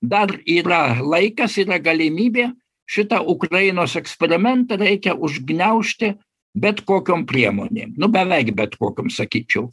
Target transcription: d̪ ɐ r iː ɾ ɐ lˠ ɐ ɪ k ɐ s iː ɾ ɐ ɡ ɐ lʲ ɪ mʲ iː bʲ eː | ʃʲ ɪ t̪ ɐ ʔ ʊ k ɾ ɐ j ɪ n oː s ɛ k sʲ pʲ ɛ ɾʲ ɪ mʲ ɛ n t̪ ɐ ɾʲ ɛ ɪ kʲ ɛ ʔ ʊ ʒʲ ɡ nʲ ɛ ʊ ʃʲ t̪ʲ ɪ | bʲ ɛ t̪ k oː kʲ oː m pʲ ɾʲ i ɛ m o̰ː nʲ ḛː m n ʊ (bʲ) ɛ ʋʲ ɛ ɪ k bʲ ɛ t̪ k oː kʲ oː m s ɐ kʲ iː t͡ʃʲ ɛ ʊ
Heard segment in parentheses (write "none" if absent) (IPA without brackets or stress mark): bʲ